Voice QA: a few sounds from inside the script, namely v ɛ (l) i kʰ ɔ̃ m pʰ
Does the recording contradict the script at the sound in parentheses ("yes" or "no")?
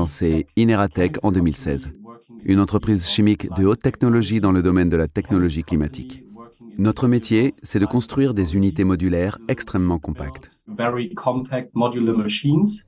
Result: yes